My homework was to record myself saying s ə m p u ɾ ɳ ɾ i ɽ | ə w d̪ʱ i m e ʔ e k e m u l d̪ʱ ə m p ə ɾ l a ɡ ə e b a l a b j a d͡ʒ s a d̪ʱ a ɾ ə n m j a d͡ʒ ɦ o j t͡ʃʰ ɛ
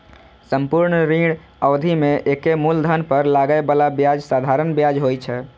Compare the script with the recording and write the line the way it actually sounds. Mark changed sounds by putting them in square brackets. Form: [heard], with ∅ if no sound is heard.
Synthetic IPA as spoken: s ə m p u ɾ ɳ ɾ i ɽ | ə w d̪ʱ i m e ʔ e k e m u l d̪ʱ ə [n] p ə ɾ l a ɡ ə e b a l a b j a d͡ʒ s a d̪ʱ a ɾ ə n [b] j a d͡ʒ ɦ o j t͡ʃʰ ɛ